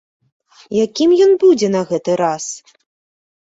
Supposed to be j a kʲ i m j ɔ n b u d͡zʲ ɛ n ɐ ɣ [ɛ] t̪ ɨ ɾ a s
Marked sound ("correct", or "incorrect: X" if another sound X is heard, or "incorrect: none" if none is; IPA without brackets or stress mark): correct